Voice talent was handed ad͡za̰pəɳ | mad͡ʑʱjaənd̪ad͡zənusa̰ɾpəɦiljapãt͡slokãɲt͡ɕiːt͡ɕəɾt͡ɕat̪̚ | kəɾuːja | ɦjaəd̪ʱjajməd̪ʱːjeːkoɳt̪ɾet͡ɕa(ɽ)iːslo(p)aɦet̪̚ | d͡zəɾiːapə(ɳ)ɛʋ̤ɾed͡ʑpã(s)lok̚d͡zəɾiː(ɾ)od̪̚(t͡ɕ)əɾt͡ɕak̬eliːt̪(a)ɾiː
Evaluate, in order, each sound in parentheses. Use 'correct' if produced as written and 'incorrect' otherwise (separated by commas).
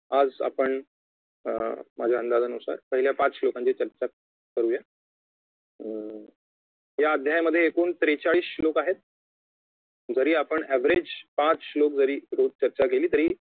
incorrect, incorrect, correct, incorrect, correct, correct, incorrect